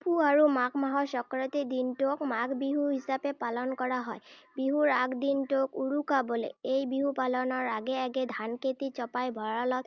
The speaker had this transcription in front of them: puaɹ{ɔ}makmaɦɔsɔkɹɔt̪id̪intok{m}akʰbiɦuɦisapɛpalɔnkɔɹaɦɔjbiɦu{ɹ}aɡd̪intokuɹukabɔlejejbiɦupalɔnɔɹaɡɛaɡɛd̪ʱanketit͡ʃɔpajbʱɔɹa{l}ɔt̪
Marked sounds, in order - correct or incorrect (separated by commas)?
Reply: incorrect, correct, correct, correct